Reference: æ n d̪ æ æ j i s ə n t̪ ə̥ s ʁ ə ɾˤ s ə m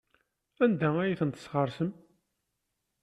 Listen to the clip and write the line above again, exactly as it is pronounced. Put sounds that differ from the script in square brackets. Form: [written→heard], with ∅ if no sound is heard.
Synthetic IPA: æ n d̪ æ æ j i [s→θ] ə n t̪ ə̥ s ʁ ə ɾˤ s ə m